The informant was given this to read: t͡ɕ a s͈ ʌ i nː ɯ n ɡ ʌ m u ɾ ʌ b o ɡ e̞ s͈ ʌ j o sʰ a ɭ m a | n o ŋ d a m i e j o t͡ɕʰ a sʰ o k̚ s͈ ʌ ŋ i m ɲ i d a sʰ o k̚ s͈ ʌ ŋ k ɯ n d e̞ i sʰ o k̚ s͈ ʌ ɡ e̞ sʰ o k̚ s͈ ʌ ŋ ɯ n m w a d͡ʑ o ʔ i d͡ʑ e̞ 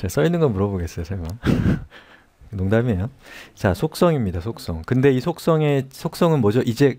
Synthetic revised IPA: t͡ɕ a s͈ ʌ i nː ɯ n ɡ ʌ m u ɾ ʌ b o ɡ e̞ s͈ ʌ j o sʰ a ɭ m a | n o ŋ d a m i e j o t͡ɕ a sʰ o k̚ s͈ ʌ ŋ i m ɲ i d a sʰ o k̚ s͈ ʌ ŋ k ɯ n d e̞ i sʰ o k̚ s͈ ʌ ŋ e̞ sʰ o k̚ s͈ ʌ ŋ ɯ n m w ʌ d͡ʑ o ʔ i d͡ʑ e̞